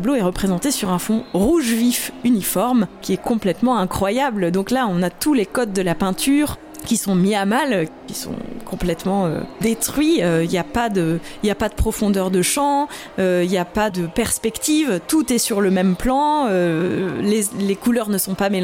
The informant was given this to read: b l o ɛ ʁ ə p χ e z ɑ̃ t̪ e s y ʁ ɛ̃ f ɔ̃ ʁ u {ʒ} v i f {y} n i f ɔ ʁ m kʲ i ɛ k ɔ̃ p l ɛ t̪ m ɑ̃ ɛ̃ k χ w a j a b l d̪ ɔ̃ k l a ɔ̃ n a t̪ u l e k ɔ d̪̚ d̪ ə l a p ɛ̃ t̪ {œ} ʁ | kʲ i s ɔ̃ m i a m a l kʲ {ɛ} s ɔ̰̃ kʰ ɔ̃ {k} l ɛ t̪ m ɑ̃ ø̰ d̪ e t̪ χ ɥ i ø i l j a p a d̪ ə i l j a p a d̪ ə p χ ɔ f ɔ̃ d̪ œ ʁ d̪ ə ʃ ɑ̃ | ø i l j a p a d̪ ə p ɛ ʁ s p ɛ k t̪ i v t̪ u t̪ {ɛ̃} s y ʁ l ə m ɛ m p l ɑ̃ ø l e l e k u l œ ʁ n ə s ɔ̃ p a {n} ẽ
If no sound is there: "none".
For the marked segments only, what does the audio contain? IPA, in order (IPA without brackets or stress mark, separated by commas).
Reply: ʒ, y, y, i, p, ɛ, m